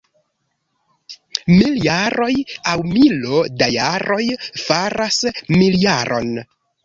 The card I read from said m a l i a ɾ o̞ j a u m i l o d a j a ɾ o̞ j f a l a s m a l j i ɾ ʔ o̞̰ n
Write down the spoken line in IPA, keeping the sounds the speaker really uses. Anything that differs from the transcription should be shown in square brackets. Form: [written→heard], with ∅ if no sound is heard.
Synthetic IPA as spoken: m [a→i] l [i→j] a ɾ o̞ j a [u→w] m i l o d a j a ɾ o̞ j f a [l→ɾ] a s m [a→i] l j [i→a] ɾ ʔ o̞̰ n